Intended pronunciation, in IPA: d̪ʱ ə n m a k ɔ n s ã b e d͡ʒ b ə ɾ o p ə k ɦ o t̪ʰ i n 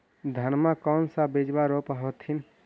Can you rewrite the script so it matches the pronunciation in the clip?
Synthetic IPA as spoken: d̪ʱ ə n m a k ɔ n s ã b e d͡ʒ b a ɾ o p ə ɦ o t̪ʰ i n